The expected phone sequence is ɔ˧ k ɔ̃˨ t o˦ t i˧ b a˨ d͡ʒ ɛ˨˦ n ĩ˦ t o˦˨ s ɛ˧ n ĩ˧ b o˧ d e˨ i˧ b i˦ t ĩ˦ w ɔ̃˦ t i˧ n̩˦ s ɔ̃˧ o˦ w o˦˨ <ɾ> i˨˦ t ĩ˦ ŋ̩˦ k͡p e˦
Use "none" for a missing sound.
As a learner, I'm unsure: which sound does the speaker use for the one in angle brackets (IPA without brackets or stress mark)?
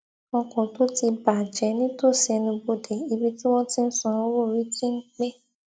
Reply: ɾ